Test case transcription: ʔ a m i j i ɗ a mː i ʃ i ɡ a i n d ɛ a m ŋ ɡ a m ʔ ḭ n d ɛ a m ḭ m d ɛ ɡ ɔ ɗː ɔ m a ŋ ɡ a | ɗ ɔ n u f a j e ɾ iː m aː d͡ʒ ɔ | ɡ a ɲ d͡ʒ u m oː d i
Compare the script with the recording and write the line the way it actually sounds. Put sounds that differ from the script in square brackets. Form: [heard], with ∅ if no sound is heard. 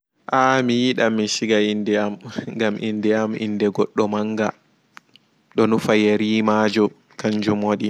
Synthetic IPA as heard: ʔ a m i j i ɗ a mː i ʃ i ɡ a i n d ɛ a m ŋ ɡ a m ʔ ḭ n d ɛ a m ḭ [n] d ɛ ɡ ɔ ɗː ɔ m a ŋ ɡ a | ɗ ɔ n u f a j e ɾ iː m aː d͡ʒ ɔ | [k] a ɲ d͡ʒ u m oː [ɗ] i